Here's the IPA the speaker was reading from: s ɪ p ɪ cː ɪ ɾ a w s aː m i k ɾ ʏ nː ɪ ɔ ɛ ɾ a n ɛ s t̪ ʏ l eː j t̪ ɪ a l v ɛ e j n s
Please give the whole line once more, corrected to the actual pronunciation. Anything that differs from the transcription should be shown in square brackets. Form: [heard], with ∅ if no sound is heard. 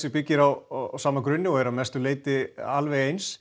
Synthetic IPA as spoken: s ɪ p ɪ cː ɪ ɾ a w s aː m [a] k ɾ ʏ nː ɪ ɔ ɛ ɾ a [m] ɛ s t̪ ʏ l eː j t̪ ɪ a l v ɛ e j n s